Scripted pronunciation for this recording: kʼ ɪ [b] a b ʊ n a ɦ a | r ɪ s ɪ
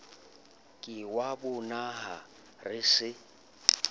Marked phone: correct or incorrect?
incorrect